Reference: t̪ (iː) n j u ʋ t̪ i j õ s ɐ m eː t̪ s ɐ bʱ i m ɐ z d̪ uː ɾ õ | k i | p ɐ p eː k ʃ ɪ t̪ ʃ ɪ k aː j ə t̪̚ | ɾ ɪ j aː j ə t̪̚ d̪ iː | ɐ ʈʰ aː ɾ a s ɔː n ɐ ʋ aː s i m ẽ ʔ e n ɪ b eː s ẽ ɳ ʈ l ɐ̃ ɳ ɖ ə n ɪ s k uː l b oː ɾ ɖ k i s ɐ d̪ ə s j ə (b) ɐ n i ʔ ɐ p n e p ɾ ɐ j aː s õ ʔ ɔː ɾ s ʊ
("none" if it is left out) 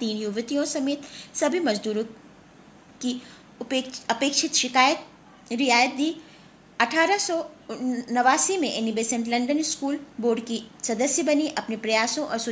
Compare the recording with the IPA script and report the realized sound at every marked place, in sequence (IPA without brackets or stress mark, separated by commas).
iː, b